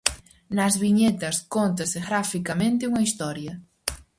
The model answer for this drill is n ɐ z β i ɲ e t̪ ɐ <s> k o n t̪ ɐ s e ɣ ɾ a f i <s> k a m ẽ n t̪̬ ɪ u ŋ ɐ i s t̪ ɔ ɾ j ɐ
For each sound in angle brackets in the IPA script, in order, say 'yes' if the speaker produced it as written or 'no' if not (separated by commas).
yes, no